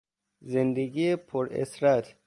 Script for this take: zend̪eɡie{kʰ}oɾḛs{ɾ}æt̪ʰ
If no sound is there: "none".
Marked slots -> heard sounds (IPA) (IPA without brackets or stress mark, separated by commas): pʰ, ɾ